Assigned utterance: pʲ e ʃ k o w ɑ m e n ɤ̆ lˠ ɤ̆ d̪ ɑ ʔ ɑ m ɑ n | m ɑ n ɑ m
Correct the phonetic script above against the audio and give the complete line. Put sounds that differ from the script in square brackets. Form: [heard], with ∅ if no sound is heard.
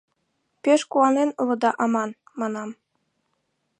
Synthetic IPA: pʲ e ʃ k [u] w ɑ [n] e n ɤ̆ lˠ ɤ̆ d̪ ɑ ʔ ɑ m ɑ n | m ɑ n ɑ m